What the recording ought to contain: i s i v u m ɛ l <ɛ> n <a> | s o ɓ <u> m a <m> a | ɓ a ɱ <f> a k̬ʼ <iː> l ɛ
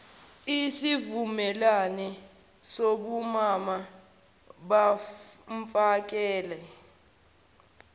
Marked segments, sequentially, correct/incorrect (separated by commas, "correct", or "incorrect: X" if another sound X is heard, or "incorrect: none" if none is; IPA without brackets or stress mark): incorrect: a, incorrect: ɛ, correct, correct, correct, incorrect: ɛː